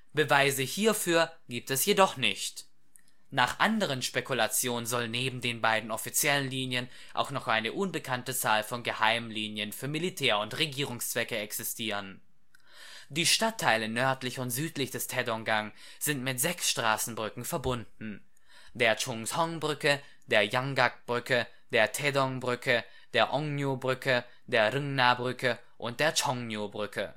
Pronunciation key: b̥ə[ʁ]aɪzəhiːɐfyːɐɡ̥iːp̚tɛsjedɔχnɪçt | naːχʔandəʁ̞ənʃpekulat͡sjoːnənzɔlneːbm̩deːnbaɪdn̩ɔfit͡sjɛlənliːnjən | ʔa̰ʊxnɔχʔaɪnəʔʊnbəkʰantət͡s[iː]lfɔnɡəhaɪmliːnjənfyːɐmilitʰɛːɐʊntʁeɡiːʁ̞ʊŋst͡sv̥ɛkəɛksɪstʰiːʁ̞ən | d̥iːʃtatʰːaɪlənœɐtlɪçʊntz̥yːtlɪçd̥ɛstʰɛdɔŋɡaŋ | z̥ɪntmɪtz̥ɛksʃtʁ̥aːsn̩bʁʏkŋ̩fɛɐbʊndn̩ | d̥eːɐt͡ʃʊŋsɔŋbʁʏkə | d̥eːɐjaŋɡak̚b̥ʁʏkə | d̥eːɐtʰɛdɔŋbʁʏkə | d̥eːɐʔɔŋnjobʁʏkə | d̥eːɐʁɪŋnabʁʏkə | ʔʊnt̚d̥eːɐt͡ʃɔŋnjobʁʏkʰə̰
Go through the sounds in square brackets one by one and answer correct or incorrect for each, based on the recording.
incorrect, incorrect

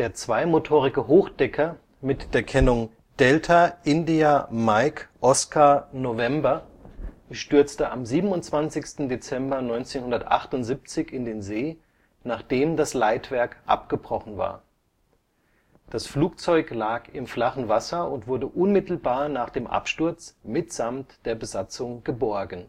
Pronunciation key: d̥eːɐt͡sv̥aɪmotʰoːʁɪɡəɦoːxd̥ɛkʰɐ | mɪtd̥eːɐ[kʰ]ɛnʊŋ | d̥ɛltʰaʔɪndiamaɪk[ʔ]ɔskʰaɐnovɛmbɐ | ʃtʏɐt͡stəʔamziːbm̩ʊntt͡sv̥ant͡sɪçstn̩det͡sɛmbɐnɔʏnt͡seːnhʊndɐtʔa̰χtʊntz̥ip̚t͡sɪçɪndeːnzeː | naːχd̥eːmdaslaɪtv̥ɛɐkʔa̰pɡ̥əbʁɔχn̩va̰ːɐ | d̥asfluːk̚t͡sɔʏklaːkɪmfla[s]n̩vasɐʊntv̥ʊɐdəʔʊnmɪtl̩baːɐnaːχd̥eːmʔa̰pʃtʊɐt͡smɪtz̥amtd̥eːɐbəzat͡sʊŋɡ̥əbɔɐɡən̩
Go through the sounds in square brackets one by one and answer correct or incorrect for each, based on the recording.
correct, correct, incorrect

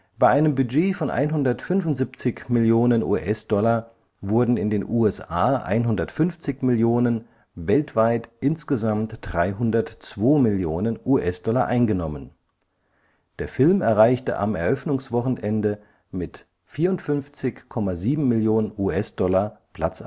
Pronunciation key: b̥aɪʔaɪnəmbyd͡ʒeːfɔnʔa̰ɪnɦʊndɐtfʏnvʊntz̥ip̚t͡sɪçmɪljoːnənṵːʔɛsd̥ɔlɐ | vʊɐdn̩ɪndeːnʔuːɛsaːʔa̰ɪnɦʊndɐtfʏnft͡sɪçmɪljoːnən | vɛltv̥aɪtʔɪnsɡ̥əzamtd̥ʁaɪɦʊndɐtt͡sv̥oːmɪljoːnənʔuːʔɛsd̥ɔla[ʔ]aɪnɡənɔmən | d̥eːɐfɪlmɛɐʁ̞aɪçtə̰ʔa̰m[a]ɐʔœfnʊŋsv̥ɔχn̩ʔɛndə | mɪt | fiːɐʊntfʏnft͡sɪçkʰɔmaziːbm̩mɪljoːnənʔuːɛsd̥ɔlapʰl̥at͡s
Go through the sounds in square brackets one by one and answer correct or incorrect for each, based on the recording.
correct, incorrect

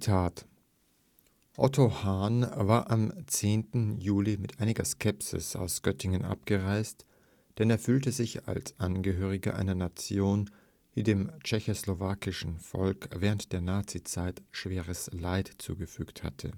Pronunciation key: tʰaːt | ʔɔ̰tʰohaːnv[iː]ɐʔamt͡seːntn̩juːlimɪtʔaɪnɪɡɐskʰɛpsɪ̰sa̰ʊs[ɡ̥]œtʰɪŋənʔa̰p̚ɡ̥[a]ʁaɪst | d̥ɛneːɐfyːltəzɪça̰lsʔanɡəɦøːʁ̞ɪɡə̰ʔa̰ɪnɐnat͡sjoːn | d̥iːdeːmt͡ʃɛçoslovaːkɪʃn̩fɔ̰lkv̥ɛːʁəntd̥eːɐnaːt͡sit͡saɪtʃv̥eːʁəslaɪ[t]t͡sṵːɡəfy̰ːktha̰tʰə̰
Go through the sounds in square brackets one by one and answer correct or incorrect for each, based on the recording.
incorrect, correct, incorrect, correct

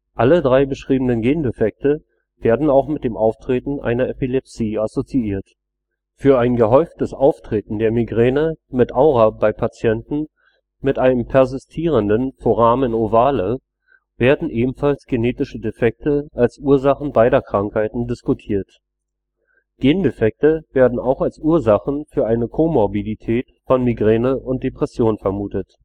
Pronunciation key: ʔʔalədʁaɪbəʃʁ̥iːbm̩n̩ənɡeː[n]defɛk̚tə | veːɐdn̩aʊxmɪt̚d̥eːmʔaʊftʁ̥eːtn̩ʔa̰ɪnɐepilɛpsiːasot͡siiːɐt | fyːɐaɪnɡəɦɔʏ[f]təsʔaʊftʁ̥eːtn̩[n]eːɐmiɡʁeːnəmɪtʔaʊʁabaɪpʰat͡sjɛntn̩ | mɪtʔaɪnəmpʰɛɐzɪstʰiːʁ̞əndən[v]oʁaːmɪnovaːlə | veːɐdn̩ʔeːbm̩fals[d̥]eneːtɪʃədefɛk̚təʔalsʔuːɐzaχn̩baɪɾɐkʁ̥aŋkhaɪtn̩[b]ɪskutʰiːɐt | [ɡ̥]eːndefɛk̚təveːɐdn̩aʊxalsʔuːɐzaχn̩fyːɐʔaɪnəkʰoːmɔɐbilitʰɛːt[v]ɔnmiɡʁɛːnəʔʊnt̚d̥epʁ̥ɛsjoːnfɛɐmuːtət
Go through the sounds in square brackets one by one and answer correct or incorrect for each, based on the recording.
correct, correct, incorrect, incorrect, incorrect, incorrect, correct, incorrect

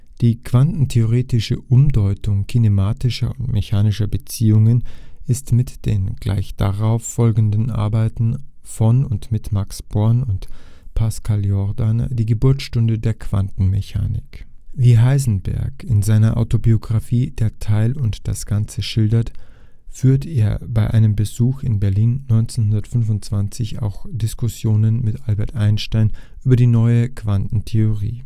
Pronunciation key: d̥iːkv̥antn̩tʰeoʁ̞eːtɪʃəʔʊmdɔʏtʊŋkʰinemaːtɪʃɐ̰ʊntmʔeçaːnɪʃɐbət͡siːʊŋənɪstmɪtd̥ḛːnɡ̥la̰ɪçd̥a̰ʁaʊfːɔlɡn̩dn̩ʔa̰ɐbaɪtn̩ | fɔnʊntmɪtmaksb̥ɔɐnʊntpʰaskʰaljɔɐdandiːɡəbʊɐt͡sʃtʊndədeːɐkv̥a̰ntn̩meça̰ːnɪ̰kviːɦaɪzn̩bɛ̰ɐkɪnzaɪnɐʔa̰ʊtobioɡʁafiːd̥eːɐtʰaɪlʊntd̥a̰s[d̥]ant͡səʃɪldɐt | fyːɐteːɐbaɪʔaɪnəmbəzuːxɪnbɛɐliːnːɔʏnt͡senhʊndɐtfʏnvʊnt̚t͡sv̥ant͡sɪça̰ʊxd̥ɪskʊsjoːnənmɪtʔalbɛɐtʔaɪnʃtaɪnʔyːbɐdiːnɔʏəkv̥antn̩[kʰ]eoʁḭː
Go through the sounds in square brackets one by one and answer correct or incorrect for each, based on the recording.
incorrect, incorrect

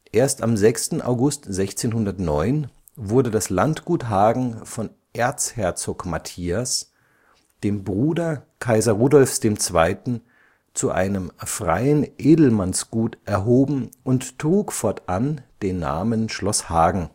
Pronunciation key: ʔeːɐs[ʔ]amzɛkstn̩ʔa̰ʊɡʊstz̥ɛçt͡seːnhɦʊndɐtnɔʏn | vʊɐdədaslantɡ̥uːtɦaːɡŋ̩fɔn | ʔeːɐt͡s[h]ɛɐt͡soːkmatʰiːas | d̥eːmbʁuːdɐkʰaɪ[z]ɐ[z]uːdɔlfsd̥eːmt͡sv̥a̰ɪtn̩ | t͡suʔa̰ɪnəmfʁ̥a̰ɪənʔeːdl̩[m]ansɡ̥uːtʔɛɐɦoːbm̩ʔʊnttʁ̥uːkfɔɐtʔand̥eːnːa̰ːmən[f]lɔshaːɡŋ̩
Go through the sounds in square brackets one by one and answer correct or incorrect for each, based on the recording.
incorrect, correct, correct, incorrect, correct, incorrect

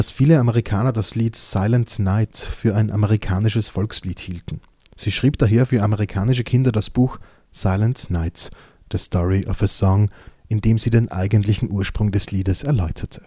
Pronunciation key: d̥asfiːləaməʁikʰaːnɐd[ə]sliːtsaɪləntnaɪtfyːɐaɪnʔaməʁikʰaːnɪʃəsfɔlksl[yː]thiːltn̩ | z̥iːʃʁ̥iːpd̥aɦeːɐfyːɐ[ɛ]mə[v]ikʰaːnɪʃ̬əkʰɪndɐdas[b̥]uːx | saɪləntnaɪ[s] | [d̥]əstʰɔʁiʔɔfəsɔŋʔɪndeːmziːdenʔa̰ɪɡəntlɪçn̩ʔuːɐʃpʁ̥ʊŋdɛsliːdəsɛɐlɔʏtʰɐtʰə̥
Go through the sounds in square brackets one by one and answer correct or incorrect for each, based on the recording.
incorrect, incorrect, incorrect, incorrect, correct, incorrect, correct

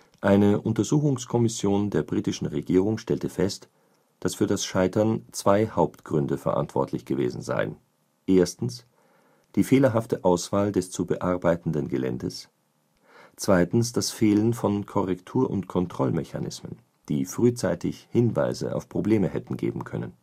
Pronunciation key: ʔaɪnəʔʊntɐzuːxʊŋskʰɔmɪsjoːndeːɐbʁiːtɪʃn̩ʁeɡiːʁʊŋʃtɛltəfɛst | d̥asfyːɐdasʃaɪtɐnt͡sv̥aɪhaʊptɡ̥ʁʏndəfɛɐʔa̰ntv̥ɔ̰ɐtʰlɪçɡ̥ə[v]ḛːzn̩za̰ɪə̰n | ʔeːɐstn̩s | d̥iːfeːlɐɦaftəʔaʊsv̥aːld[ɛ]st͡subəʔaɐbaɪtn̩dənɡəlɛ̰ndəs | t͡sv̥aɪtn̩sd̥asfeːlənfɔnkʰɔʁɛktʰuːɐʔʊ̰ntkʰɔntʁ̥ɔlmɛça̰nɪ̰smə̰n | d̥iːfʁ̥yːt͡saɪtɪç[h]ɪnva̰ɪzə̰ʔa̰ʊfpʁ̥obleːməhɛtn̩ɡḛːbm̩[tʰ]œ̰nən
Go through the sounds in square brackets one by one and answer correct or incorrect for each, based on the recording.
correct, correct, correct, incorrect

